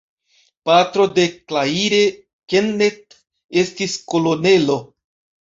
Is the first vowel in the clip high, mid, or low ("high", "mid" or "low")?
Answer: low